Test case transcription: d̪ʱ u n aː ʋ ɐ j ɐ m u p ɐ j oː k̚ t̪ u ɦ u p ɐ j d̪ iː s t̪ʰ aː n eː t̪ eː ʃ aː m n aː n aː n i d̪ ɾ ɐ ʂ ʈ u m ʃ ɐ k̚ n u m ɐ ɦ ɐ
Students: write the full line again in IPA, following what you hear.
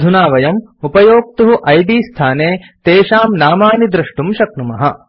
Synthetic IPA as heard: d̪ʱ u n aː ʋ ɐ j ɐ m u p ɐ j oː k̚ t̪ u ɦ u ʔ ɐ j d̪ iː s t̪ʰ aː n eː t̪ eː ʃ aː m n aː m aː n i d̪ ɾ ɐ ʂ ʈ u m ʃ ɐ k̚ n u m ɐ ɦ ɐ

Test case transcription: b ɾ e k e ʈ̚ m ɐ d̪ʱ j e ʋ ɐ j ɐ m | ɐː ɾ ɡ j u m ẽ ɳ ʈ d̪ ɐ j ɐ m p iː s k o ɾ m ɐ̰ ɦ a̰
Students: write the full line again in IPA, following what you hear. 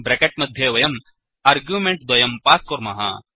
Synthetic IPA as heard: b ɾ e k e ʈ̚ m ɐ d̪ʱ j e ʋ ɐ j ɐ m | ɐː ɾ ɡ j u m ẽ ɳ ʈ d̪ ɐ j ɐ m p aː s k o ɾ m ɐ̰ ɦ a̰

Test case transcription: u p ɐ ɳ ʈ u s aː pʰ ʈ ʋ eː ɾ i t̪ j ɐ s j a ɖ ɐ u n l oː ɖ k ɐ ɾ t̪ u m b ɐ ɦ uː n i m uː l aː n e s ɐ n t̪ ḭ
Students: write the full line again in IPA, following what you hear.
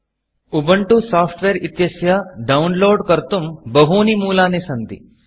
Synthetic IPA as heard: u b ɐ ɳ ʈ u s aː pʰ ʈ ʋ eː ɾ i t̪ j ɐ s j a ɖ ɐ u n l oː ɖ k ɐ ɾ t̪ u m b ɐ ɦ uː n i m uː l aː n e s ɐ n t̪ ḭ

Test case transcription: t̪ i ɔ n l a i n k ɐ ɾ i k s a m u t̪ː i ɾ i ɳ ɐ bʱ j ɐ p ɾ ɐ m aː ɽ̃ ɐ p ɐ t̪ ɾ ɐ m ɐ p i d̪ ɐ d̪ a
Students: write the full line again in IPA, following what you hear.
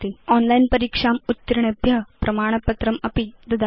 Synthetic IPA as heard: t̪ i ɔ n l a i n p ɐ ɾ i k ʂ a m u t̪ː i ɾ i ɳ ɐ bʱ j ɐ p ɾ ɐ m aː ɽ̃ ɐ p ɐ t̪ ɾ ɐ m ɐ p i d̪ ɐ d̪ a

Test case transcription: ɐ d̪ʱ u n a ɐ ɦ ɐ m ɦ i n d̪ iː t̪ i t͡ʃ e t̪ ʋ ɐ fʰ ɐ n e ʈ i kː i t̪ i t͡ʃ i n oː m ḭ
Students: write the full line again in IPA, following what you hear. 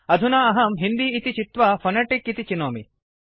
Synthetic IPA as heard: ɐ d̪ʱ u n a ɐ ɦ ɐ m ɦ i n d̪ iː t̪ i t͡ʃ i t̪ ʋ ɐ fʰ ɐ n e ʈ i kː i t̪ i t͡ʃ i n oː m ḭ

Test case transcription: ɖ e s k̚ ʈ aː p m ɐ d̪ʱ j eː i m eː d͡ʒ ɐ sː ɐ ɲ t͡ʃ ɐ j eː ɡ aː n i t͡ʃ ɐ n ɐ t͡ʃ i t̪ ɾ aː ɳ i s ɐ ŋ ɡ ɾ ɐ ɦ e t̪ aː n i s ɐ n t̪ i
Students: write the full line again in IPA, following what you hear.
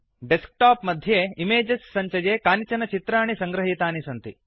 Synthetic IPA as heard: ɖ e s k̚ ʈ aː p m ɐ d̪ʱ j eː i m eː d͡ʒ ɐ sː ɐ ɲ t͡ʃ ɐ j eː k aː n i t͡ʃ ɐ n ɐ t͡ʃ i t̪ ɾ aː ɳ i s ɐ ŋ ɡ ɾ ɐ ɦ i t̪ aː n i s ɐ n t̪ i

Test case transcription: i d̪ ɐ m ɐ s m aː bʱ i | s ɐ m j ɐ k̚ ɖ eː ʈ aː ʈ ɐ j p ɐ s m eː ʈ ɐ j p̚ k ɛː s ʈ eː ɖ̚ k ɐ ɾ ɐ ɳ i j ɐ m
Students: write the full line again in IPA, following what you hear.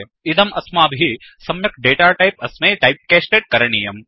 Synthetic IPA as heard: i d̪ ɐ m ɐ s m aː bʱ i | s ɐ m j ɐ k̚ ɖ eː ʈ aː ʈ ɐ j p ɐ s m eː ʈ ɐ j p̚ k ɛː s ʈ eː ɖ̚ k ɐ ɾ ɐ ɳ i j ɐ m

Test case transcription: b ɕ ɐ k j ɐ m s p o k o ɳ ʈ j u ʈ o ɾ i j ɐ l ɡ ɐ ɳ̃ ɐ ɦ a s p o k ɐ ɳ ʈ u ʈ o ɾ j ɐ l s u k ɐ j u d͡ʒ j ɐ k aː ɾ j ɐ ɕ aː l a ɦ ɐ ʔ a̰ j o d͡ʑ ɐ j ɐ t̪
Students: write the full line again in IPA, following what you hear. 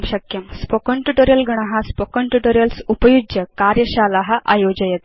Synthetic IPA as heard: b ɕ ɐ k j ɐ m s p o k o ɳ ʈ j u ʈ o ɾ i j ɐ l ɡ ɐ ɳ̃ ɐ ɦ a s p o k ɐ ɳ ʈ u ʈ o ɾ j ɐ l s u p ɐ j u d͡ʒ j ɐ k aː ɾ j ɐ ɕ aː l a ɦ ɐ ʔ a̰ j o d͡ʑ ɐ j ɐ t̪

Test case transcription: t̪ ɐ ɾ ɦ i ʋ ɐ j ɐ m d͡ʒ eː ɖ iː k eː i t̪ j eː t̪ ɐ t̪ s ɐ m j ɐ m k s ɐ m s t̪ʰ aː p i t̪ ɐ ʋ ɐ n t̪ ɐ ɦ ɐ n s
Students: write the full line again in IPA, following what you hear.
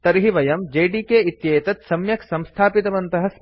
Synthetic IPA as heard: t̪ ɐ ɾ ɦ i ʋ ɐ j ɐ m d͡ʒ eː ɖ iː k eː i t̪ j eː t̪ ɐ t̪ s ɐ m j ɐ k s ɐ m s t̪ʰ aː p i t̪ ɐ ʋ ɐ n t̪ ɐ ɦ ɐ s

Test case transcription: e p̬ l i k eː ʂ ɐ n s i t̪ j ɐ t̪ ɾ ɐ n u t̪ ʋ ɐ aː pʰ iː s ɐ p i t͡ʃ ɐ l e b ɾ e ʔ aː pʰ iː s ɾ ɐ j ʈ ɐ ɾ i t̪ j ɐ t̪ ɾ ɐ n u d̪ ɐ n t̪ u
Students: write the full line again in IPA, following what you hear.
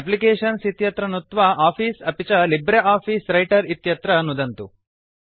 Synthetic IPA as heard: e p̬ l i k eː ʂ ɐ n s i t̪ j ɐ t̪ ɾ ɐ n u t̪ ʋ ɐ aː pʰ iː s ɐ p i t͡ʃ ɐ l i b ɾ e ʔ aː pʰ iː s ɾ ɐ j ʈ ɐ ɾ i t̪ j ɐ t̪ ɾ ɐ n u d̪ ɐ n t̪ u

